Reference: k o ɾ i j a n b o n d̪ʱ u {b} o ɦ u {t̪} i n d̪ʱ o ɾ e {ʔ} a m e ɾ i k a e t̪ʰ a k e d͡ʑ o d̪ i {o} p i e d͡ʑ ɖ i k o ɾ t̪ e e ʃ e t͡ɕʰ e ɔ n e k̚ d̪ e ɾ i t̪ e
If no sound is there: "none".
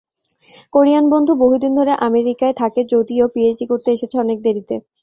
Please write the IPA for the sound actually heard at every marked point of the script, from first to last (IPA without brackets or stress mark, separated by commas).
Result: b, d̪, ʔ, o